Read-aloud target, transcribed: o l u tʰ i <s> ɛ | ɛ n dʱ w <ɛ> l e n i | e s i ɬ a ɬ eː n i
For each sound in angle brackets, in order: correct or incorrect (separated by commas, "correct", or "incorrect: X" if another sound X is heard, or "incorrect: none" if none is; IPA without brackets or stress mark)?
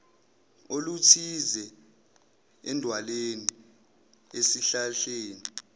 incorrect: z, incorrect: a